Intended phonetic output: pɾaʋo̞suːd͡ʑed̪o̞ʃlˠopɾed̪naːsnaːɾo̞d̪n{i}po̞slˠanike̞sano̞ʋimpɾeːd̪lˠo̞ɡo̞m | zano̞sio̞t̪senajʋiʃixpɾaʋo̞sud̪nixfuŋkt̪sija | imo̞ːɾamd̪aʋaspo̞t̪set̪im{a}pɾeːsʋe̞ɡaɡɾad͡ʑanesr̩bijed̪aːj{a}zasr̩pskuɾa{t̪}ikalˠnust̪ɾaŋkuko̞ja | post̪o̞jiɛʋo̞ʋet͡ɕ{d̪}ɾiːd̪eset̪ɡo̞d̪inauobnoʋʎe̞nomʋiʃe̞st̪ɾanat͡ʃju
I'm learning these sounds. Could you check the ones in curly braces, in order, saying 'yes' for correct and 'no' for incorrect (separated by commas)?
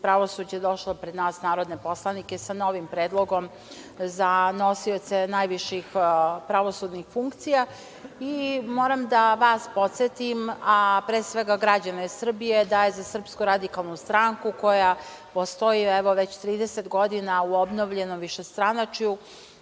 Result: no, yes, no, no, no